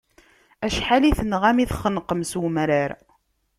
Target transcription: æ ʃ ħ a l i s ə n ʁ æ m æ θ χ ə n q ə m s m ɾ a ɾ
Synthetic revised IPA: æ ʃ ħ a l i θ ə n ʁ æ m i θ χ ə n q ə m s m ɾ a ɾ